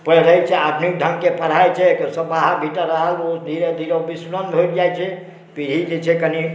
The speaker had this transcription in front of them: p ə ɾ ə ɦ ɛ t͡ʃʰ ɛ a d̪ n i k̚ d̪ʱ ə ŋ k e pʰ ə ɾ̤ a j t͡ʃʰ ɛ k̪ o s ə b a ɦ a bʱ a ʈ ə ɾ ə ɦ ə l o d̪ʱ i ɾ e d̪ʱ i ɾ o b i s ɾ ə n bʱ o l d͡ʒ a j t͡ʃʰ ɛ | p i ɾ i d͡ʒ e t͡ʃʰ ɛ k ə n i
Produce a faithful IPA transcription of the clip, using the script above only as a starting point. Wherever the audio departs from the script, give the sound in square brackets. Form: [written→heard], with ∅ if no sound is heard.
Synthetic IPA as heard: p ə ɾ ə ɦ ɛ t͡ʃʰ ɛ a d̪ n i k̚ d̪ʱ ə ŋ k e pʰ ə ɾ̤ a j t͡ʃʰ ɛ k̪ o s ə b a ɦ a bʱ [a→i] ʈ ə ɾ ə ɦ ə l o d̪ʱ i ɾ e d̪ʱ i ɾ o b i s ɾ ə n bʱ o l d͡ʒ a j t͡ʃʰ ɛ | p i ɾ i d͡ʒ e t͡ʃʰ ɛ k ə n i